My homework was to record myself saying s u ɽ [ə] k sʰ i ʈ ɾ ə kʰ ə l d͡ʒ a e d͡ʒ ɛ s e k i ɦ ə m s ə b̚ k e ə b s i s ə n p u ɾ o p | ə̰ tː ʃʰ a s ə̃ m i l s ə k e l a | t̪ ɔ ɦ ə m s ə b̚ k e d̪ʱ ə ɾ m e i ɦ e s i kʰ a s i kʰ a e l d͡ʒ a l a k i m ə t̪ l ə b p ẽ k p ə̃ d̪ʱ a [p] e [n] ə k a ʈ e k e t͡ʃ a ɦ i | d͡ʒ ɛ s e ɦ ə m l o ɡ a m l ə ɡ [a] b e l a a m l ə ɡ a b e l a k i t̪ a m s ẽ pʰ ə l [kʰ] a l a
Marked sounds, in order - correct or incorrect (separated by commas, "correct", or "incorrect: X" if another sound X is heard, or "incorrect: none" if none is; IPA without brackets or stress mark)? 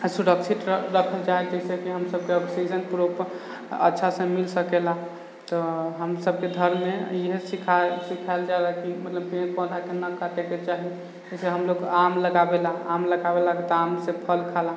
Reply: correct, incorrect: k, correct, correct, correct